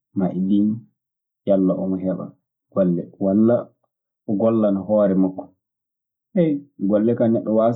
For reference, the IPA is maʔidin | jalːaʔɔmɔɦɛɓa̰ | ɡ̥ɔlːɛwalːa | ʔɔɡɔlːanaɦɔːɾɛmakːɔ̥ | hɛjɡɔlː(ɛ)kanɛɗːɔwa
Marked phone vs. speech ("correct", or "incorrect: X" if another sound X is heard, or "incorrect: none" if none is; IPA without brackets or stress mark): correct